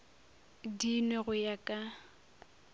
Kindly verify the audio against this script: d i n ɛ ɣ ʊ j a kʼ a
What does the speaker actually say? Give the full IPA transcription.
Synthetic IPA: d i n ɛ ɣ ʊ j a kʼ a